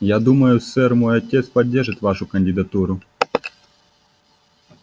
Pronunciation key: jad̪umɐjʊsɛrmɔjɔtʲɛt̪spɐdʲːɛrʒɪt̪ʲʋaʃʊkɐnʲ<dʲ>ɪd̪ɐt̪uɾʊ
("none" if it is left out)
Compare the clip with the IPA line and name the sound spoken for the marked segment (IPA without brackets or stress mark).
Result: dʲ